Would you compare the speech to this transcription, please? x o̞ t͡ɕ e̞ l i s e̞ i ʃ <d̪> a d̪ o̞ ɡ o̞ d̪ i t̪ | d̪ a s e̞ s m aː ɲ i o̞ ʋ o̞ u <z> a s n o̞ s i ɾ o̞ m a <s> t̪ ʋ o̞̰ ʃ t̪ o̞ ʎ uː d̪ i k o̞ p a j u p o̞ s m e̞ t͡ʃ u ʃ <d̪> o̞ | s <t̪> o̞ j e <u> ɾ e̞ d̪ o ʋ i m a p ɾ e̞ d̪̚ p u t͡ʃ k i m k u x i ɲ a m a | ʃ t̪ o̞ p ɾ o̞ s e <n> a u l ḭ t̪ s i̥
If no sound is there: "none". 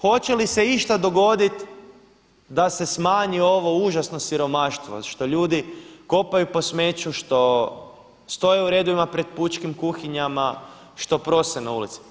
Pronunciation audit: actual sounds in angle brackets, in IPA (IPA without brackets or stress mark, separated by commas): t̪, ʒ, ʃ, t̪, t̪, u, n